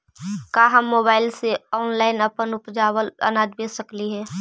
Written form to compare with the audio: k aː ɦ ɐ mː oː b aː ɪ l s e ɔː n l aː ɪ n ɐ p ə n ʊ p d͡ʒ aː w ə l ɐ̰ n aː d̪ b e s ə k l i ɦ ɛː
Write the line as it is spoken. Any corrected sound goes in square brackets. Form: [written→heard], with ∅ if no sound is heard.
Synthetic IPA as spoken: k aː ɦ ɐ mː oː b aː ɪ l s e ɔː n l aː ɪ n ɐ p ə n ʊ p d͡ʒ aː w ə l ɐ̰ n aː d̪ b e s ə k l i ɦ ɛː